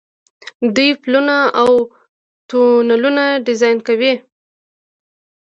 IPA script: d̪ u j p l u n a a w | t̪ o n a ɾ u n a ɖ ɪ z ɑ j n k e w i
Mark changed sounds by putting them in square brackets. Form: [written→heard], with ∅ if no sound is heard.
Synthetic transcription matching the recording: d̪ u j p l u n a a w | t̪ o n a [ɾ→l] u n a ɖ ɪ z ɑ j n k [e→a] w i